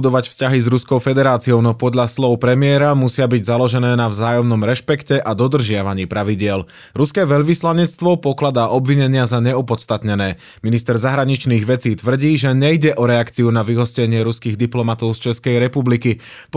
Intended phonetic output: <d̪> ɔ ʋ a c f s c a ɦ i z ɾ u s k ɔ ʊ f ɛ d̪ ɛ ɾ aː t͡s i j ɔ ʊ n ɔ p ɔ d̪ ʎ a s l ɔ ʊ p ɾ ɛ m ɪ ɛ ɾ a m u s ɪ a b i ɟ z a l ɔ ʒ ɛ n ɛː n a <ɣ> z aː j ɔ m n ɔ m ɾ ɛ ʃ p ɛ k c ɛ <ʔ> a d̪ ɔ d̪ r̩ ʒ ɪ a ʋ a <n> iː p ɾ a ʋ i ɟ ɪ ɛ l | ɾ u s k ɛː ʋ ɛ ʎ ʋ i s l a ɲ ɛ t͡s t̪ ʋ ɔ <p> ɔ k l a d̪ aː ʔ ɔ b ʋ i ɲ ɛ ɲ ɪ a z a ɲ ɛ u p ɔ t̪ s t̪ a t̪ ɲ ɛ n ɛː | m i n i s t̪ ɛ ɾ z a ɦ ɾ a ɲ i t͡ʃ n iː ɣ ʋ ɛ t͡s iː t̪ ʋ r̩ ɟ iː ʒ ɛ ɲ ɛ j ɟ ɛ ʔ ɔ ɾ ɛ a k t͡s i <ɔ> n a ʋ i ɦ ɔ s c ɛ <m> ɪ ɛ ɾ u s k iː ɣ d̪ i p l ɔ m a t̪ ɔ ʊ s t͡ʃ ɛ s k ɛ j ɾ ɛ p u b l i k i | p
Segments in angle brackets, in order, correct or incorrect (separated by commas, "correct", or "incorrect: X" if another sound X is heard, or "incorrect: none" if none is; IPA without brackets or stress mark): correct, incorrect: v, correct, incorrect: ɲ, correct, incorrect: u, incorrect: ɲ